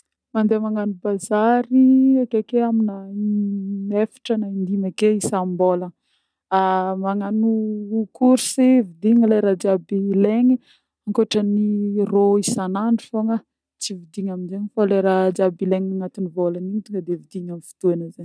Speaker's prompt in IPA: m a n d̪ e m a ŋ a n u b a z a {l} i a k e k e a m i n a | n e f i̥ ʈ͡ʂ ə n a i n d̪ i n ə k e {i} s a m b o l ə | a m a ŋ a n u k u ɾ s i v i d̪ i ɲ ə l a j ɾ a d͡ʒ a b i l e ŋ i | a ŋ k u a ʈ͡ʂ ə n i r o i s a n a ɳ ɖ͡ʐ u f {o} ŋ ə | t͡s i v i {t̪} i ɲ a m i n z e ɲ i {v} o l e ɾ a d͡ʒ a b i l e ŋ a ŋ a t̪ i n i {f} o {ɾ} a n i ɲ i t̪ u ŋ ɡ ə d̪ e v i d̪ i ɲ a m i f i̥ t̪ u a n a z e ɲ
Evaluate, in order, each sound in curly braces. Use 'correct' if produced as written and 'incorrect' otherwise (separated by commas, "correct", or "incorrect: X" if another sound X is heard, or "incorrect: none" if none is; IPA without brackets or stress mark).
incorrect: ɾ, correct, correct, incorrect: d̪, incorrect: f, incorrect: v, incorrect: l